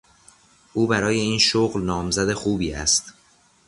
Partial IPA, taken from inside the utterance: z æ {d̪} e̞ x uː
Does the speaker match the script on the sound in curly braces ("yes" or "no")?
yes